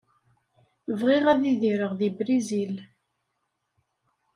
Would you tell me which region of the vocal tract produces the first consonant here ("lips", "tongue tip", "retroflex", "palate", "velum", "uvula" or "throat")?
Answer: lips